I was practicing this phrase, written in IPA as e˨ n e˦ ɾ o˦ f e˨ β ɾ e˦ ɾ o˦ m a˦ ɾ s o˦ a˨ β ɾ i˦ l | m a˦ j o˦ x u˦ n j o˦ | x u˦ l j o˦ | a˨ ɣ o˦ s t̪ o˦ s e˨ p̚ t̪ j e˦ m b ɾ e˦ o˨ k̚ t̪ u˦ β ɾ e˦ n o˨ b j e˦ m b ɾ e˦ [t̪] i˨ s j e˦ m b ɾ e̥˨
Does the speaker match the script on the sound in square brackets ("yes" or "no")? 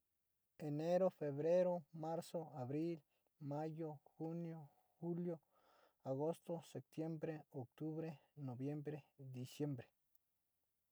no